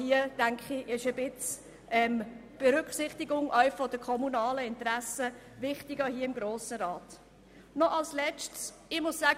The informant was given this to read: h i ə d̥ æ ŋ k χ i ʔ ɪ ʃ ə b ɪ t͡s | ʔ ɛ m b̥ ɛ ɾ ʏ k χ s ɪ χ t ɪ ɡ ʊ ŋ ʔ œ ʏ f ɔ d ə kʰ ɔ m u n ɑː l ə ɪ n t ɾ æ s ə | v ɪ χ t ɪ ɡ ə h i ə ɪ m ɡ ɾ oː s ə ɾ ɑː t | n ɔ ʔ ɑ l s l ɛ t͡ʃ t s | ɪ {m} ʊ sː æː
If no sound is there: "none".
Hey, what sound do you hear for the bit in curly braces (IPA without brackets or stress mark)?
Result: m